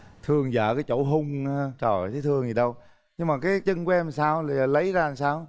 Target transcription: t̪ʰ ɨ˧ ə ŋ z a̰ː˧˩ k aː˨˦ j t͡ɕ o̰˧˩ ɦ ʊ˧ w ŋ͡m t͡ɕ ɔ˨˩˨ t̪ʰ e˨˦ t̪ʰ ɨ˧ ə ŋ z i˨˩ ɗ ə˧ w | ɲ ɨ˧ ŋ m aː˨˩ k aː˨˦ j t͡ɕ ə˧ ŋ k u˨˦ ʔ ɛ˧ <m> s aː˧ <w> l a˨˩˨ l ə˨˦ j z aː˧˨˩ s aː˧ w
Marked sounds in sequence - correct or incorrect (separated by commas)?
correct, correct